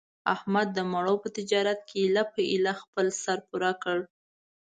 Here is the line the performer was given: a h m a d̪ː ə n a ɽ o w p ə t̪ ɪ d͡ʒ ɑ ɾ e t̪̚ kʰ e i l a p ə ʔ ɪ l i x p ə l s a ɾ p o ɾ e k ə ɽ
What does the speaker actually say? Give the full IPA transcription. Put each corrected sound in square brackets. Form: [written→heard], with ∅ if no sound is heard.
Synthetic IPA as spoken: a h m a d̪ː ə [n→m] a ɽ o w p ə t̪ ɪ d͡ʒ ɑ ɾ [e→a] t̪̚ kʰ e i l a p ə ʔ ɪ l [i→a] x p ə l s a ɾ p [o→u] ɾ [e→a] k ə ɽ